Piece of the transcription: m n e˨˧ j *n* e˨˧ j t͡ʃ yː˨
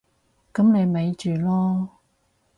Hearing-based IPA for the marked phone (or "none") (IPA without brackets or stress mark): m